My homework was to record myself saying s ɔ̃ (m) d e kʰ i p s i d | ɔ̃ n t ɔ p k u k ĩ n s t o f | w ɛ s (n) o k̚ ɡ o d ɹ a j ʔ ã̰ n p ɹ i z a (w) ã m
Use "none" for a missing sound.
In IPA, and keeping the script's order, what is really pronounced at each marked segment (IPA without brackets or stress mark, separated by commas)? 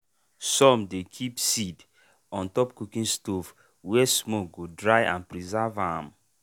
m, m, v